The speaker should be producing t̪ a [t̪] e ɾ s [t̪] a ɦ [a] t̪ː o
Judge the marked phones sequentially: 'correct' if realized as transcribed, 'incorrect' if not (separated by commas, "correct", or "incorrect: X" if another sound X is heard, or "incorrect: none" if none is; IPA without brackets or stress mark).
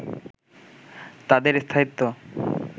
incorrect: d̪, incorrect: t̪ʰ, incorrect: i